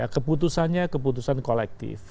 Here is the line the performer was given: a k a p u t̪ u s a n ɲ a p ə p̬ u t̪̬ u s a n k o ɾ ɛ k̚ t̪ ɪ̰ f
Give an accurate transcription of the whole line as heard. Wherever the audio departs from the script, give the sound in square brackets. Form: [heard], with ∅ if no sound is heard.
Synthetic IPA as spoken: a k [ə] p u t̪ u s a n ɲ a [k] ə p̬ u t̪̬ u s a n k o [l] ɛ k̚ t̪ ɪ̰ f